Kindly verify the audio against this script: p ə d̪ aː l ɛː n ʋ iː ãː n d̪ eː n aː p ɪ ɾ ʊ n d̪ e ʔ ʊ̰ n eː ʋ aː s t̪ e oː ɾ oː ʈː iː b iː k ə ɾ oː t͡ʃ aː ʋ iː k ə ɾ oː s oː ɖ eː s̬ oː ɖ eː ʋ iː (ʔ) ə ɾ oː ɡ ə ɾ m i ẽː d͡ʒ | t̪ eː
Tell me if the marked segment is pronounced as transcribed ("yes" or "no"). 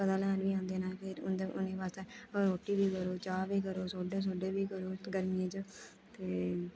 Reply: no